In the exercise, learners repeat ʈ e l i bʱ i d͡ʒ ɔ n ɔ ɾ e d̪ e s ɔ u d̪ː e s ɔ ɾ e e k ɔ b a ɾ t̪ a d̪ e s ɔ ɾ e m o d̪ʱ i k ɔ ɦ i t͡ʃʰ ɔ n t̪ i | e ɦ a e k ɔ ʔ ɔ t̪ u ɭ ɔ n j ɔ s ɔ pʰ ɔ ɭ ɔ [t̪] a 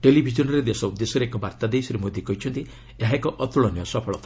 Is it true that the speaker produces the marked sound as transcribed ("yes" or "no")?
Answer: no